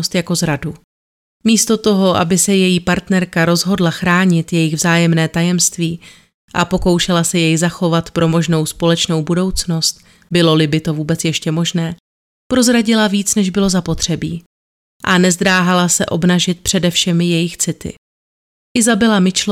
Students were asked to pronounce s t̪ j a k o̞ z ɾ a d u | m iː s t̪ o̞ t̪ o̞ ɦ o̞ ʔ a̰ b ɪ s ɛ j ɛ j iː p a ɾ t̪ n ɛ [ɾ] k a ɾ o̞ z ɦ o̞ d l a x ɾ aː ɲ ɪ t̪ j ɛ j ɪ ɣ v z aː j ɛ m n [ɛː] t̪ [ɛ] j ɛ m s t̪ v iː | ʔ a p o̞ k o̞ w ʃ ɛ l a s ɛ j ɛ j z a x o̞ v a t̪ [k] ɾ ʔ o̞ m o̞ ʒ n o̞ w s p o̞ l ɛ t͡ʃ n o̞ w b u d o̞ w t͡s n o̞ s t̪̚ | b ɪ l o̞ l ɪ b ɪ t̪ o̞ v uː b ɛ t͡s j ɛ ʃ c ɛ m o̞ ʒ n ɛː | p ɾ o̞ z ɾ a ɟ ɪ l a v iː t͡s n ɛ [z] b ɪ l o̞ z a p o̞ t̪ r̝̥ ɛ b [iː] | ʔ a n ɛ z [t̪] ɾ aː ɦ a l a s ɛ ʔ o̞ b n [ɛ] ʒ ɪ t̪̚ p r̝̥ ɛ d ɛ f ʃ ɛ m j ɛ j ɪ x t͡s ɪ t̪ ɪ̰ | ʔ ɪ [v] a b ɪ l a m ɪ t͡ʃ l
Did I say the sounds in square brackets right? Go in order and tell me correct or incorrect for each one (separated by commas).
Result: correct, correct, incorrect, incorrect, incorrect, correct, incorrect, incorrect, incorrect